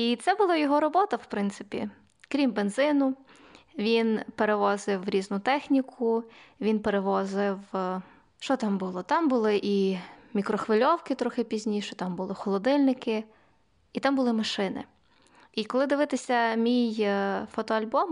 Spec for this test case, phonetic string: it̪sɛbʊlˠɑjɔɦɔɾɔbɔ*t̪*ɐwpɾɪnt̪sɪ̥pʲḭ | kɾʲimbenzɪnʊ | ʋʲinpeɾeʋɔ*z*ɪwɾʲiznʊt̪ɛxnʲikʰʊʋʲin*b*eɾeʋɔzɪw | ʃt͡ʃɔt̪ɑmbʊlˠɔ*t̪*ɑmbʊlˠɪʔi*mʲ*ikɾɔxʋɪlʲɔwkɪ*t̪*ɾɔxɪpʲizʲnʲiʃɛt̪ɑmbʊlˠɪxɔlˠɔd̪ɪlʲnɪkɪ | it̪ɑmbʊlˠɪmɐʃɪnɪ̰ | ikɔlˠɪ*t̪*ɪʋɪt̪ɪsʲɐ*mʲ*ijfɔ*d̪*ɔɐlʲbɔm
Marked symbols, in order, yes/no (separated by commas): yes, yes, no, yes, yes, yes, no, yes, no